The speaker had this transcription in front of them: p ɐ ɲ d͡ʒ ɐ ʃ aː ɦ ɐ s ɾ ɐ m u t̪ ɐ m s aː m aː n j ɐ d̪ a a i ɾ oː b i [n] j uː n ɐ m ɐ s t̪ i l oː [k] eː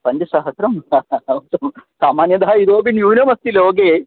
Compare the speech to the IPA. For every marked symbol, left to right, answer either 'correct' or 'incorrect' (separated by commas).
correct, incorrect